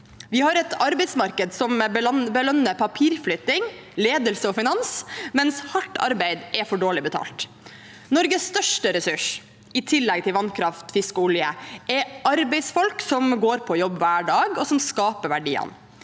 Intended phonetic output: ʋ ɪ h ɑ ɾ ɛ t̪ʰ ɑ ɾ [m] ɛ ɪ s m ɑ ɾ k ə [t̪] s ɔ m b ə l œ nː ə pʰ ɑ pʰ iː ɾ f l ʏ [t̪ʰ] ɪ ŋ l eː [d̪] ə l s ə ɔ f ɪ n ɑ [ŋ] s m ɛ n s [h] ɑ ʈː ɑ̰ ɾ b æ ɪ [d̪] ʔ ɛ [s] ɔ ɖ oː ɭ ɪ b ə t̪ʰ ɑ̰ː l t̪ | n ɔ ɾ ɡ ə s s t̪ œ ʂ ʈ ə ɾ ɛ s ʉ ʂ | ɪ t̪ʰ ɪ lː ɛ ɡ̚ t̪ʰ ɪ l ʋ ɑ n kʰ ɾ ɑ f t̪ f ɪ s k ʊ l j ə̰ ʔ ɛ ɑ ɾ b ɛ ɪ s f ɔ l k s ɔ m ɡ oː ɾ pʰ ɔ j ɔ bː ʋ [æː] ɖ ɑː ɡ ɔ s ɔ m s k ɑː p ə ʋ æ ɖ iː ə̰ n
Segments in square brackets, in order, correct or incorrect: incorrect: b, incorrect: d̪, incorrect: t̪, correct, incorrect: n, correct, correct, incorrect: f, correct

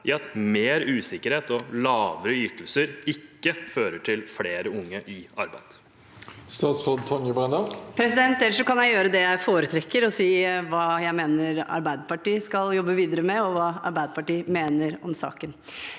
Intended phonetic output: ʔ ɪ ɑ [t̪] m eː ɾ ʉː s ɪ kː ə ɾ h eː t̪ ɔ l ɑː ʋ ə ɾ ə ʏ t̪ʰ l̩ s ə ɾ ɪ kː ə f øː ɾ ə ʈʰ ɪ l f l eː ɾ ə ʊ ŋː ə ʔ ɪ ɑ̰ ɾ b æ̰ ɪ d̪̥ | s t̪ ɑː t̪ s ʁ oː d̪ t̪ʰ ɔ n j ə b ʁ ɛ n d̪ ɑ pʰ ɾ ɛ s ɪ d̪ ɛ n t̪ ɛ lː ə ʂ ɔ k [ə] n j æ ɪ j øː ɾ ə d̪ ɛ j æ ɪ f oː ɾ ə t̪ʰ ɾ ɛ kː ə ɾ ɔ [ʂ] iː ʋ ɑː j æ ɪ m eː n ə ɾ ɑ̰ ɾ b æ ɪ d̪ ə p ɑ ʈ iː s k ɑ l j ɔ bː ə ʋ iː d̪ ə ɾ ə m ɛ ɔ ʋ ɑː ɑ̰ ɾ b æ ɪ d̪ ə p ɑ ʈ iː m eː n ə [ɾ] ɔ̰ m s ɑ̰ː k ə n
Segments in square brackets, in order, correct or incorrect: correct, incorrect: ɑ, incorrect: s, correct

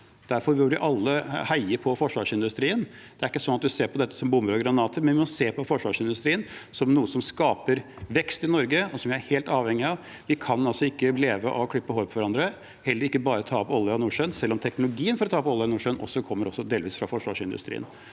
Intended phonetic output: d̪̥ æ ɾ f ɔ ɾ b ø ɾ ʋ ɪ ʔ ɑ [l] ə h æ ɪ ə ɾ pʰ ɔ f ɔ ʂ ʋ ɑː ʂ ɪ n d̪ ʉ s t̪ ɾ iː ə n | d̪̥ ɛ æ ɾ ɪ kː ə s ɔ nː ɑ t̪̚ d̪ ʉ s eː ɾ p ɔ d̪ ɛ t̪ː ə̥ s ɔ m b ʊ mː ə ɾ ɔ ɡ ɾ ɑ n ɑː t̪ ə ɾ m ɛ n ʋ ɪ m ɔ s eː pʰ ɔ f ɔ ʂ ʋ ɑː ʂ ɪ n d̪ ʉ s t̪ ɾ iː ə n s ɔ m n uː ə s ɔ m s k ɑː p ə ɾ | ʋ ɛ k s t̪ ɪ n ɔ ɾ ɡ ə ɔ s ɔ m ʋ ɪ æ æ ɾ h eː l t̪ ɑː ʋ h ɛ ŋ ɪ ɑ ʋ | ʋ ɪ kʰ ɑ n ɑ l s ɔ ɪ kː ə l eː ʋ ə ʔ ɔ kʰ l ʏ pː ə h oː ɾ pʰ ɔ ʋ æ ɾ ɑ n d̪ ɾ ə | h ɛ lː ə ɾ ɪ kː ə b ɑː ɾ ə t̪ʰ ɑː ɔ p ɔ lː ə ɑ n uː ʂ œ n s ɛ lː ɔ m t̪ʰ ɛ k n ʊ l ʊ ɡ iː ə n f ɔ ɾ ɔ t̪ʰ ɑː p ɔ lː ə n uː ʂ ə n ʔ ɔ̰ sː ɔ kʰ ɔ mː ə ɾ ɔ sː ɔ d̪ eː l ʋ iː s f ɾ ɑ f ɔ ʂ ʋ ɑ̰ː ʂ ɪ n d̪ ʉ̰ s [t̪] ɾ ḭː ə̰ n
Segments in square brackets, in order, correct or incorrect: incorrect: lː, correct

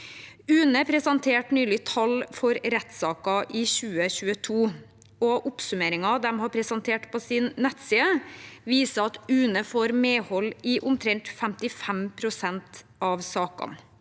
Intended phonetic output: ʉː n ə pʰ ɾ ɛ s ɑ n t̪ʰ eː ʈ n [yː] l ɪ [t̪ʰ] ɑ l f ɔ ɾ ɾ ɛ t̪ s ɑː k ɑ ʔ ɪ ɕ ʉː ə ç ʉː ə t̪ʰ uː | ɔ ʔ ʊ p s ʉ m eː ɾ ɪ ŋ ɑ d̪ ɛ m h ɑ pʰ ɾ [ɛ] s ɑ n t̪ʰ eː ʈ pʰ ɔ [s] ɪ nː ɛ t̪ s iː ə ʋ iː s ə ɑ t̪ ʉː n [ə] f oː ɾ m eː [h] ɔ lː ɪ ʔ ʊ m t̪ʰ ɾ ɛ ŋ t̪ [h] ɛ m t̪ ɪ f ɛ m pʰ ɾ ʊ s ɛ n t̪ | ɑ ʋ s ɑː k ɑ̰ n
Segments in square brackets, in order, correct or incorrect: correct, correct, correct, correct, correct, correct, incorrect: f

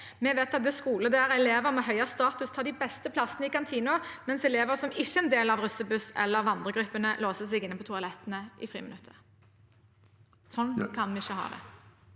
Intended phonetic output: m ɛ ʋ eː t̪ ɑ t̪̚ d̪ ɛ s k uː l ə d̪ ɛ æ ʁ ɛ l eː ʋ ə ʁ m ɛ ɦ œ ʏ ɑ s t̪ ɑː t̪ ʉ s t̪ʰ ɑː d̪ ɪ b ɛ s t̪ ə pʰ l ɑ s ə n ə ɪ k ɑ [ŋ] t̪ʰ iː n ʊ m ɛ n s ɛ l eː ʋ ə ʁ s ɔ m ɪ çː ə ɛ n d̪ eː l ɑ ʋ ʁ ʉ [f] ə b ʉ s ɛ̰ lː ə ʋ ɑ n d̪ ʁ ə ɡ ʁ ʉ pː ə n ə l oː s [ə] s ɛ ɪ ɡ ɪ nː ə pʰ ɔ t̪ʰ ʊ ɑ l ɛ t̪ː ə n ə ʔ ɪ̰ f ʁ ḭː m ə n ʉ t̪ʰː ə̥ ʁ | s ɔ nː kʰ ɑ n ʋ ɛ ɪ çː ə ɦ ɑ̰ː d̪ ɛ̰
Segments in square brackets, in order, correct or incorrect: incorrect: n, incorrect: s, correct

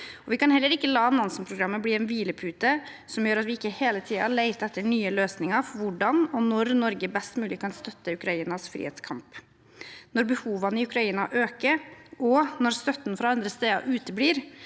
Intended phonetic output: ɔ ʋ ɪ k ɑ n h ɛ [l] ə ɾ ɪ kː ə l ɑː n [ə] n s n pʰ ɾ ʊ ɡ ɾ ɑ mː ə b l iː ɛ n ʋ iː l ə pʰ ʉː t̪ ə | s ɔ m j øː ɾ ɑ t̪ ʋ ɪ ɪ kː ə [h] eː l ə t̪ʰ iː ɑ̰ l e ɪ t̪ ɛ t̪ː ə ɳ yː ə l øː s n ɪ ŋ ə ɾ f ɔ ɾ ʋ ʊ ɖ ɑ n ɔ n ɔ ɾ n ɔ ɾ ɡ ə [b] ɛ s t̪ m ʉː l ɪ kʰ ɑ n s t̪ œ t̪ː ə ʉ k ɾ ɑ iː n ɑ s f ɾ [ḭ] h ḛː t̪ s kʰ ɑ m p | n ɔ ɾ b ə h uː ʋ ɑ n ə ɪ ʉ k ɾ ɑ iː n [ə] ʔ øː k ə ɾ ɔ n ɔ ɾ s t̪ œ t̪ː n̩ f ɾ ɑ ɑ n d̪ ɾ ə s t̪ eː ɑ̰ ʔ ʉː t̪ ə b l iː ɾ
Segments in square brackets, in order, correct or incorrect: incorrect: lː, incorrect: ɑ, correct, correct, correct, incorrect: ɑ

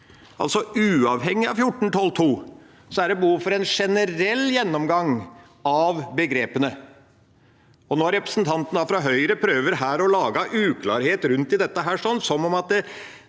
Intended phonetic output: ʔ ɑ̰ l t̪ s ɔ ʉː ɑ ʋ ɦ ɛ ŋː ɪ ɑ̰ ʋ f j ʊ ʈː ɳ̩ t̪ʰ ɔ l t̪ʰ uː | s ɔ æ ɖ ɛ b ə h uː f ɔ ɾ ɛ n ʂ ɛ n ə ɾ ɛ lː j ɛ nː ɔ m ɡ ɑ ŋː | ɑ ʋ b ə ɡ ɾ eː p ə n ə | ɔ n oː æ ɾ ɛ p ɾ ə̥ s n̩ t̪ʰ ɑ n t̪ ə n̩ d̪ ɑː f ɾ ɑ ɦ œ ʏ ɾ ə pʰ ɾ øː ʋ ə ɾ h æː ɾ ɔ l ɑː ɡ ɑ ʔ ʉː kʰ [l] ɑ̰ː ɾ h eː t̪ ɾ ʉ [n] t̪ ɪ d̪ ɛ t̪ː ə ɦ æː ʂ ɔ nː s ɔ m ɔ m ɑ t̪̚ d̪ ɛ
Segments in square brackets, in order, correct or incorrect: correct, correct

